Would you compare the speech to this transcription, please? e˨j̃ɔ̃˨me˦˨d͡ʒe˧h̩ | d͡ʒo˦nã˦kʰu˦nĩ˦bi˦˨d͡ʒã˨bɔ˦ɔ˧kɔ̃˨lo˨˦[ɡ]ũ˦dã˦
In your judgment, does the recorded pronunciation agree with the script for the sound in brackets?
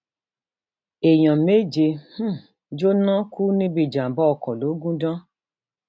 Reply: yes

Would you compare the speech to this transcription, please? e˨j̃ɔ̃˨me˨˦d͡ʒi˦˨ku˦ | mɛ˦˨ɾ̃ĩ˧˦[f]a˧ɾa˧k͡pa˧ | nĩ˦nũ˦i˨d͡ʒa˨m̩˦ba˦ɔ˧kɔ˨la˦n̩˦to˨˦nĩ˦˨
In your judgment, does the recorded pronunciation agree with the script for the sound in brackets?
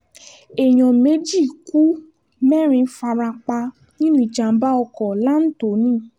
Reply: yes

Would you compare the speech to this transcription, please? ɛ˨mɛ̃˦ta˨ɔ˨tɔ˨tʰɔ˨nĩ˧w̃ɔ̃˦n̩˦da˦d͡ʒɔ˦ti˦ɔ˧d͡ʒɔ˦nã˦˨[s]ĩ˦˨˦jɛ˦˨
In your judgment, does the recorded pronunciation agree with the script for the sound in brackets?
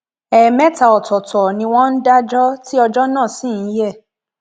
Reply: yes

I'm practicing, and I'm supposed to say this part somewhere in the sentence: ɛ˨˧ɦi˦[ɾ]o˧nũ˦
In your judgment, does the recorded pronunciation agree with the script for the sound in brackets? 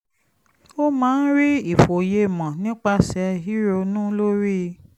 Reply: yes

